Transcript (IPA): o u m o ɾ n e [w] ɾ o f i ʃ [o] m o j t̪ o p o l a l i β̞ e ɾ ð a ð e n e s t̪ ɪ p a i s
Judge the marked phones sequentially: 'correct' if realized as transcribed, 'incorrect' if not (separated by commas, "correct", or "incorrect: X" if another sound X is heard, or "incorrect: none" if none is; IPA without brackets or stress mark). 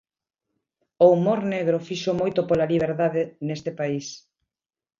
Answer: incorrect: ɣ, correct